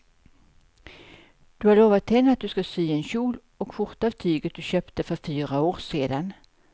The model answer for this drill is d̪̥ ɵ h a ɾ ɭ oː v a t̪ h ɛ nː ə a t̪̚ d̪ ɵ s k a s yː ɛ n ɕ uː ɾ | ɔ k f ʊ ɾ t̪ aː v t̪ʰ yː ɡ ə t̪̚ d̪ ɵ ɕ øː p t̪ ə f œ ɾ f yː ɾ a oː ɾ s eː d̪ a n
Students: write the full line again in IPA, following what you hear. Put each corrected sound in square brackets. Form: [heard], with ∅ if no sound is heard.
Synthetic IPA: d̪̥ ɵ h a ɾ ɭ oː v a t̪ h ɛ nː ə a t̪̚ d̪ ɵ s k a s yː ɛ n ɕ uː [l] | ɔ k f ʊ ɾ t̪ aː v t̪ʰ yː ɡ ə t̪̚ d̪ ɵ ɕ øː p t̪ ə f œ ɾ f yː ɾ a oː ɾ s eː d̪ a n